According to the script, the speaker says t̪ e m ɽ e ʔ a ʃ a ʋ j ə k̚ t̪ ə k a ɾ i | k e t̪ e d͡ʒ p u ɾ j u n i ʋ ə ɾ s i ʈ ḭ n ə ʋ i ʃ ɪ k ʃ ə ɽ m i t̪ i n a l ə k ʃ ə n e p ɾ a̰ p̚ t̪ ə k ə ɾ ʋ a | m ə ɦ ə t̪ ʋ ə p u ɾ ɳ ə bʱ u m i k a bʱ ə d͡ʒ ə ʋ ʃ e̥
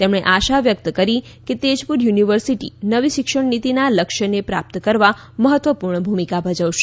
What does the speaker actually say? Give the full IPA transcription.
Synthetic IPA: t̪ e m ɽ e ʔ a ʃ a ʋ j ə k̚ t̪ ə k ə ɾ i | k e t̪ e d͡ʒ p u ɾ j u n i ʋ ə ɾ s i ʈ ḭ n ə ʋ i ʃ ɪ k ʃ ə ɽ n i t̪ i n a l ə k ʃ ə n e p ɾ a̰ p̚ t̪ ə k ə ɾ ʋ a | m ə ɦ ə t̪ ʋ ə p u ɾ ɳ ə bʱ u m i k a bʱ ə d͡ʒ ə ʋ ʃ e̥